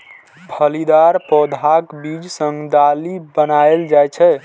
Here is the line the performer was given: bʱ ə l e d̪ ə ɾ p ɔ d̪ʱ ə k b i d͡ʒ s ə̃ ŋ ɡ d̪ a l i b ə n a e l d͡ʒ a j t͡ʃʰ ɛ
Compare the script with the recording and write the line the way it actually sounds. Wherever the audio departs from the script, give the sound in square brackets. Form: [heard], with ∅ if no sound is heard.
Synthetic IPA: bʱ ə l [i] d̪ [a] ɾ p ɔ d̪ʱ [a] k b i d͡ʒ s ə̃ ŋ ɡ d̪ a l i b ə n a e l d͡ʒ a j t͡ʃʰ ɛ